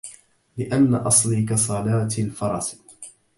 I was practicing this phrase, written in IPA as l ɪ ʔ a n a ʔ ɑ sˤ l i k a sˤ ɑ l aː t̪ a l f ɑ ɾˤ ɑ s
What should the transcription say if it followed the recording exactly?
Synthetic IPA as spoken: l ɪ ʔ a nː a ʔ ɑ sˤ l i k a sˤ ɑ l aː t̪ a l f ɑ ɾˤ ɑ s